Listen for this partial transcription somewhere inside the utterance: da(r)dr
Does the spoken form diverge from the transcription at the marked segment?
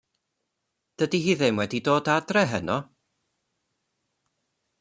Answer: yes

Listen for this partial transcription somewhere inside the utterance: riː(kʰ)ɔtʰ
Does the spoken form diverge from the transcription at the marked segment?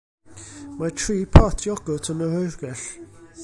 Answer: yes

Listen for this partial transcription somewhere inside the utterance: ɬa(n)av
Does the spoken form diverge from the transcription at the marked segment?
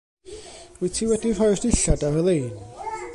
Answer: yes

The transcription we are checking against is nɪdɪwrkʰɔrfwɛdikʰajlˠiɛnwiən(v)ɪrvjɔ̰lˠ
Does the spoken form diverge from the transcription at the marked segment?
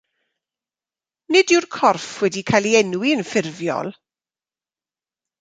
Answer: yes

